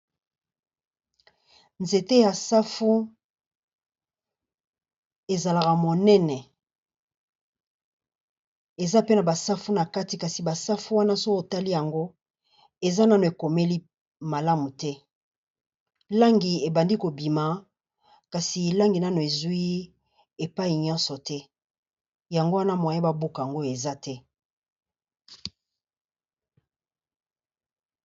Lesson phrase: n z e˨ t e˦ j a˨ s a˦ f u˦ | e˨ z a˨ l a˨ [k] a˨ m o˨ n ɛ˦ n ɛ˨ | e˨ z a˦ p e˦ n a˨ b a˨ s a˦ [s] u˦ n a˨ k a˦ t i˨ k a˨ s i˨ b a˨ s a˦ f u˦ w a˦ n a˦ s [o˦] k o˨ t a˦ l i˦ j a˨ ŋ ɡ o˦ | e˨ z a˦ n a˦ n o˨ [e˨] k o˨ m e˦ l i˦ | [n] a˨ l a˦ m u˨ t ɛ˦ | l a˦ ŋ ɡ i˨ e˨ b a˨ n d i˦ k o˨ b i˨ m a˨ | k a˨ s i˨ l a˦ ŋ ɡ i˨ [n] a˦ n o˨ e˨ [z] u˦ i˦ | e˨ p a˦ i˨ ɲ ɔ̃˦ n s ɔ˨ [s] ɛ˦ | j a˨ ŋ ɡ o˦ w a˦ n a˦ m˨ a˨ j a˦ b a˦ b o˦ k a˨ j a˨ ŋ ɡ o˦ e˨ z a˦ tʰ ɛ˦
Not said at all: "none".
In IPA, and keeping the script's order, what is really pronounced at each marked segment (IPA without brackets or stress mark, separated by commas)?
k, f, o˦, e˨, m, n, z, t